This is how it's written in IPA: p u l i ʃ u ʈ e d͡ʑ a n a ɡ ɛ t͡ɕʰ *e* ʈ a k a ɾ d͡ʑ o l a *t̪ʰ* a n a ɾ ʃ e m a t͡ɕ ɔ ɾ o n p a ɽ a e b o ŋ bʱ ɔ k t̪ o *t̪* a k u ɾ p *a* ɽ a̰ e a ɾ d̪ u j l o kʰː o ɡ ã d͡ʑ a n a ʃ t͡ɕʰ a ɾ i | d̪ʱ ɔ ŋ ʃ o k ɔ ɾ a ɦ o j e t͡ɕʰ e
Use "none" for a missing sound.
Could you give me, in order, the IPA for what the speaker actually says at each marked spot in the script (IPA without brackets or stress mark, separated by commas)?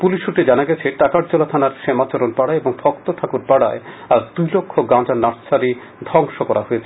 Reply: e, t̪ʰ, t̪ʰ, a